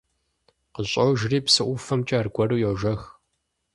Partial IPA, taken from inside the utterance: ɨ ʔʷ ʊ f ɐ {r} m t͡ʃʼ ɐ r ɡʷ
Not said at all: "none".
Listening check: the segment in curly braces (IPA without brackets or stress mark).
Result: none